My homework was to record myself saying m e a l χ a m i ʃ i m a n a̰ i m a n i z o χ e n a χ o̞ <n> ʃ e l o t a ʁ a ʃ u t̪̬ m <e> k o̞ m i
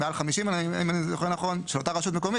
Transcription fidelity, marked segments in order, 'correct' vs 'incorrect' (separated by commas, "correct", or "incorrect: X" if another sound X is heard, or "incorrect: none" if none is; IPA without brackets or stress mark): correct, correct